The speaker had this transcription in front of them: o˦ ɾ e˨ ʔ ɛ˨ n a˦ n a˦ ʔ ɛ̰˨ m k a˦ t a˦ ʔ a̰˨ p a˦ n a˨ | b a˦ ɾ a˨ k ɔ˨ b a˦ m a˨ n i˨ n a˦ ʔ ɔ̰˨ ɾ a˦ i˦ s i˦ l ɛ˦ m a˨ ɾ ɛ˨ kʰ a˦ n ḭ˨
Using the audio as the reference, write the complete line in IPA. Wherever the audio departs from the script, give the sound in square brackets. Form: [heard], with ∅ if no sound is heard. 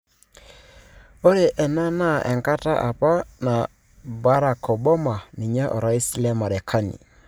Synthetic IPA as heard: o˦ ɾ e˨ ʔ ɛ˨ n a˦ n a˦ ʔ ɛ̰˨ [ŋ] k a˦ t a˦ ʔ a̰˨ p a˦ n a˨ | b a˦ ɾ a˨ k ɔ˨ b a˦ m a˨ n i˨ [ɲ] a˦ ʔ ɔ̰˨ ɾ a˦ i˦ s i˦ l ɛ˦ m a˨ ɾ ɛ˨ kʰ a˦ n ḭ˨